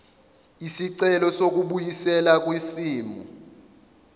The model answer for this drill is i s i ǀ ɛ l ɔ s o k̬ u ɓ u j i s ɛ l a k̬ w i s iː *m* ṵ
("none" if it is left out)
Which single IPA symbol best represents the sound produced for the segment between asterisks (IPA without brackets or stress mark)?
m